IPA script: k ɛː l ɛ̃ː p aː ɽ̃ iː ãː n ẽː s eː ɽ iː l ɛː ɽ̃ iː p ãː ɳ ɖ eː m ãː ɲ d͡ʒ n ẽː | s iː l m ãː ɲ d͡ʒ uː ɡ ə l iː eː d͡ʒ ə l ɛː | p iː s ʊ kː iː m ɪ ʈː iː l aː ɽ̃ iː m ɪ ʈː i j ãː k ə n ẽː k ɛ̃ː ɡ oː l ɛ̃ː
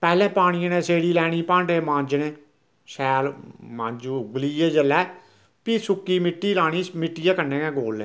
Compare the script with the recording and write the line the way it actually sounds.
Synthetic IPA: p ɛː l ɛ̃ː p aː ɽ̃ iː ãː n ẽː s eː ɽ iː l ɛː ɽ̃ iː p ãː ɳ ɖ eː m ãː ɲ d͡ʒ n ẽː | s ɛː l m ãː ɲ d͡ʒ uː ɡ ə l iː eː d͡ʒ ə l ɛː | p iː s ʊ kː iː m ɪ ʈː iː l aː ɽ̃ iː m ɪ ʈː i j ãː k ə n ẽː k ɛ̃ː ɡ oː l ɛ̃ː